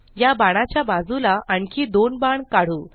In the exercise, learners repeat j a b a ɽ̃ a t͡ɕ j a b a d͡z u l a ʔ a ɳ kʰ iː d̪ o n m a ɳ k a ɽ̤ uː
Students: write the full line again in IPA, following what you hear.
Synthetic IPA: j a b a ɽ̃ a t͡ɕ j a b a d͡z u l a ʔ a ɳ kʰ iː d̪ o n b a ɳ k a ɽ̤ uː